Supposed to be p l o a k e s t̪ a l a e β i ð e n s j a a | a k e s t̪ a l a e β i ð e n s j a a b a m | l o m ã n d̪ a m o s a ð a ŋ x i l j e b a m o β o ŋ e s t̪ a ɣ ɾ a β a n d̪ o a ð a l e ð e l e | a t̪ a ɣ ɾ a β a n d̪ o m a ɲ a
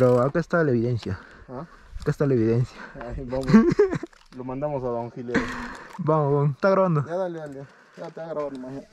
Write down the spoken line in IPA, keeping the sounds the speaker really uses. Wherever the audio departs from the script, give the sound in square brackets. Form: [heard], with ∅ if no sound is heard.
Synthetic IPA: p [ɾ] o a k e s t̪ a l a e β i ð e n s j a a | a k e s t̪ a l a e β i ð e n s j a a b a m | l o m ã n d̪ a m o s a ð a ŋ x i l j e b a m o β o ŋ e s t̪ a ɣ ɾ a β a n d̪ o a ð a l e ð [a] l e | a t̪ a ɣ ɾ a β a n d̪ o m a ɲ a